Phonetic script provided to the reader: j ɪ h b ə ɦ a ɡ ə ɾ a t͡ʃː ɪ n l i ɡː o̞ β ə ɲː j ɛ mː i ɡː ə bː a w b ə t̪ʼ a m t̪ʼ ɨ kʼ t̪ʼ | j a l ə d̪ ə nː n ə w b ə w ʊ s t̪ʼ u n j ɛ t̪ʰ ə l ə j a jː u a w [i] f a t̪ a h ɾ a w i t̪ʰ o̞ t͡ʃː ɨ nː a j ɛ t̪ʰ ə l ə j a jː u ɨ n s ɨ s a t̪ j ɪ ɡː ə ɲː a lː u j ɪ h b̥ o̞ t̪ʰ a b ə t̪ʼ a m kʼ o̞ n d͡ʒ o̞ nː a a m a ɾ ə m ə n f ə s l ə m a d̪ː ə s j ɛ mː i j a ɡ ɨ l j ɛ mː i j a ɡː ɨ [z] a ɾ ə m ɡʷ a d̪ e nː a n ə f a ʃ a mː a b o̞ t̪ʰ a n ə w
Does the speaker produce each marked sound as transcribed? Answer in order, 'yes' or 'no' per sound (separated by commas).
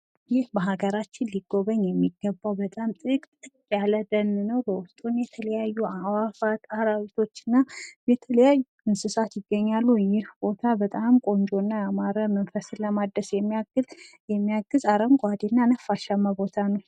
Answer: no, yes